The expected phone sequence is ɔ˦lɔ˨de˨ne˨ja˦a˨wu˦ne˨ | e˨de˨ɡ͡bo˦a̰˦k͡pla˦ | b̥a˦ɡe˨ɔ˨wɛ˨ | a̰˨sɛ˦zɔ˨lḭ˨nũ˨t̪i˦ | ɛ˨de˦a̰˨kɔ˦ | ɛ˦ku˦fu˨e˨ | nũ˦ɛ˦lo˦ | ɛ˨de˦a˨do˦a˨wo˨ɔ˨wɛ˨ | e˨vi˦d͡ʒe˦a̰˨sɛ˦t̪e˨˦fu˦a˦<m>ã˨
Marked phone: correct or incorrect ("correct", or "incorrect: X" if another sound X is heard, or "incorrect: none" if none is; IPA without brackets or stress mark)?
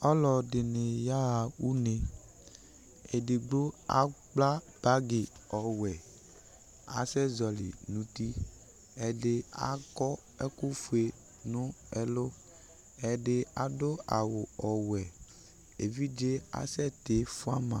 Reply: correct